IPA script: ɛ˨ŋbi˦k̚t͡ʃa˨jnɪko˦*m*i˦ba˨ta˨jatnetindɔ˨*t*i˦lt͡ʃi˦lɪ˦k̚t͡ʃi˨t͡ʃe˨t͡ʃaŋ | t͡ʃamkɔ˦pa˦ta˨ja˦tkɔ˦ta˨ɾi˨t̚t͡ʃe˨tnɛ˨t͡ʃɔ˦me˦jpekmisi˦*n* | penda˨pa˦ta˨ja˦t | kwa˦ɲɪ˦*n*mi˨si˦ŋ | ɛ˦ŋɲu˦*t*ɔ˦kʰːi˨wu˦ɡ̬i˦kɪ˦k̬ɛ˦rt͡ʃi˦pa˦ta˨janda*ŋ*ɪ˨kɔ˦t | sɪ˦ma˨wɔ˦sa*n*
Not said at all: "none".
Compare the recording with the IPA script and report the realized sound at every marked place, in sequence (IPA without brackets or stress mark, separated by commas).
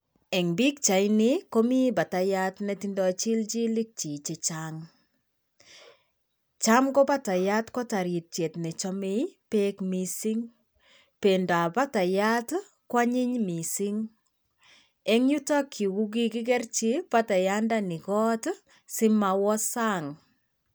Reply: m, t͡ʃ, ŋ, ɲ, t, n, ŋ